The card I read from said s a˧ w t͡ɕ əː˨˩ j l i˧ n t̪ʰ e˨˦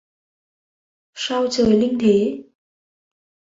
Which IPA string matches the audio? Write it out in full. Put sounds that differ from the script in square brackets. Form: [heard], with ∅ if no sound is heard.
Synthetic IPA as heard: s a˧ w t͡ɕ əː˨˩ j l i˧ [ŋ] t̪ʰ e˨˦